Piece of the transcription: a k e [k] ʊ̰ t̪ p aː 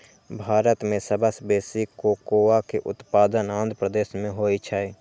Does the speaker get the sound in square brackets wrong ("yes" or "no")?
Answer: yes